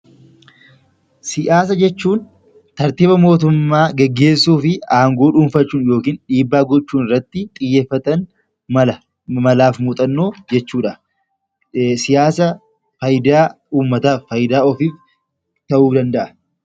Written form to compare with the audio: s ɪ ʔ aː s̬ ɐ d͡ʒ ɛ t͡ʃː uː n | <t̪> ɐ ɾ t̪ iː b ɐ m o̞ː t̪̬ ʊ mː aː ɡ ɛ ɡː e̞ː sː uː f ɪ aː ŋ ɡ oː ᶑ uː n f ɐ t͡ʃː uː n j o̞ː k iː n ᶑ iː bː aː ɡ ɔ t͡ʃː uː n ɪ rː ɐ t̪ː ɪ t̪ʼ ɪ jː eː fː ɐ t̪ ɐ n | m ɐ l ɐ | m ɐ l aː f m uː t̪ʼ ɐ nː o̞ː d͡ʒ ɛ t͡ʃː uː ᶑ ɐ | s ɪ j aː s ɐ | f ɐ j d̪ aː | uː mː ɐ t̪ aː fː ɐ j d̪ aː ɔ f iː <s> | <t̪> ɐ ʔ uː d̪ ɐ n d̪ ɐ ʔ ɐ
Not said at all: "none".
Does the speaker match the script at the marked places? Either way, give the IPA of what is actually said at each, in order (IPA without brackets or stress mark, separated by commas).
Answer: t̪, f, t̪